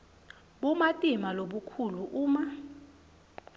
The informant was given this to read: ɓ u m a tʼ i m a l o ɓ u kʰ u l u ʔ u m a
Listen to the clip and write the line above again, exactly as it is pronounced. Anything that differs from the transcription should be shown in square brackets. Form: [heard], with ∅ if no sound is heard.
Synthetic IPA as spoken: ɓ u m a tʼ i m a l o ɓ u kʰ u l u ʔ [uː] m a